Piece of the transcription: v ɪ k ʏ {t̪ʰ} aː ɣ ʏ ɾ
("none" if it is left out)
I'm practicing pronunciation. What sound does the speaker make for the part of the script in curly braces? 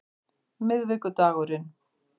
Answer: t̪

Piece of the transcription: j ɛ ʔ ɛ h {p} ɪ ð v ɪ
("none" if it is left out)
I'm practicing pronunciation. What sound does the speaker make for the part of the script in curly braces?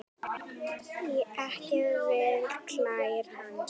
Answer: c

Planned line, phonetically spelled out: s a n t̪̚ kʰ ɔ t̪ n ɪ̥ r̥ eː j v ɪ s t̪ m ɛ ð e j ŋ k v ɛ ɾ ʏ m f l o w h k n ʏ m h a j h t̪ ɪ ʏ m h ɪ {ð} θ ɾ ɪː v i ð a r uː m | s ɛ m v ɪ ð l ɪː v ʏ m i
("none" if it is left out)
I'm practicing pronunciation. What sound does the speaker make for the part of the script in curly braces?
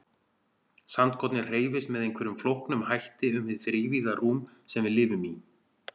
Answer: ð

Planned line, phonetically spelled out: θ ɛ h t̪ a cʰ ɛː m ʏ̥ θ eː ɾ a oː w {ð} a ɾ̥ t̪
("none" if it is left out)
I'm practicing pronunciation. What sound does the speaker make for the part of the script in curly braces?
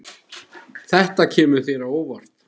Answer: v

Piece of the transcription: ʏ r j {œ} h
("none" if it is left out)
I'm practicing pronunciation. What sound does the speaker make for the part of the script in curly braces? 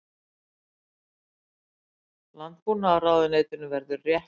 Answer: ɛ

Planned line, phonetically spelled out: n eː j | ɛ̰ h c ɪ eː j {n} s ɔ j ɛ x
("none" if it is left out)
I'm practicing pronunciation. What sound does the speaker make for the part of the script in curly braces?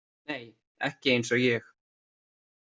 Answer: n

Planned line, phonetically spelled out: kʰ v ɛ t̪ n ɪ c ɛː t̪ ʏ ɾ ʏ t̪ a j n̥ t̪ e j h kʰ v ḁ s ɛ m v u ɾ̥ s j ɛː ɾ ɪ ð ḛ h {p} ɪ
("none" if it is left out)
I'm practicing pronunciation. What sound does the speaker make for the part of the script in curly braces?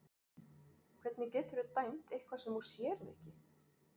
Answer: c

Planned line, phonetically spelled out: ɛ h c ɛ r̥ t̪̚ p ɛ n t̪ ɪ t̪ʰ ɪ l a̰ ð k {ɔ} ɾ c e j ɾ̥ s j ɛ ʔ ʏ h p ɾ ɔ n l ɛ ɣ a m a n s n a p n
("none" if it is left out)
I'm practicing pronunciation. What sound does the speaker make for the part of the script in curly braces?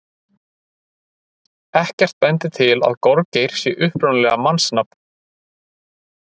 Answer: ɔ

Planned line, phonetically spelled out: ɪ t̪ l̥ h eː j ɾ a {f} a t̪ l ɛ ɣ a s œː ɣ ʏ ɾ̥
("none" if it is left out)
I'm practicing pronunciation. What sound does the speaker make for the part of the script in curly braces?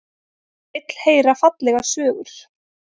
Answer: f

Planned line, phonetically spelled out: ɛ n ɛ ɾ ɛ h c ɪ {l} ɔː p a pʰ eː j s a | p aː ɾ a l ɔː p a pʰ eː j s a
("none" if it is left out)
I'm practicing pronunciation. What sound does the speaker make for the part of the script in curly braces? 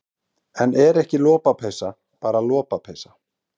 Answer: l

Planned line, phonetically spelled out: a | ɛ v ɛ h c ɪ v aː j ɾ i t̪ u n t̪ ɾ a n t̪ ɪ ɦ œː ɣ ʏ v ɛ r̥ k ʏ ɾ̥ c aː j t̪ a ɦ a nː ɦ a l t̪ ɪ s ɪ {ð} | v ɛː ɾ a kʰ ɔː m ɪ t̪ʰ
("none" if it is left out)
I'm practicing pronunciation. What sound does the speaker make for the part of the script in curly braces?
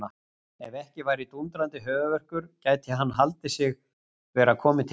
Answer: ɣ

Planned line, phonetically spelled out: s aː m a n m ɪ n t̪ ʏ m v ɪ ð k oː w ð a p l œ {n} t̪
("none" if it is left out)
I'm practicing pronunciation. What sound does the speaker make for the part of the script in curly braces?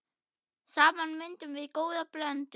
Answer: n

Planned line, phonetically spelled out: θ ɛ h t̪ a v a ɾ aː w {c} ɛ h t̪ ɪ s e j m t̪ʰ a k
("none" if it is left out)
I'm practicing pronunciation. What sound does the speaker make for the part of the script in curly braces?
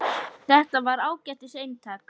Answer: c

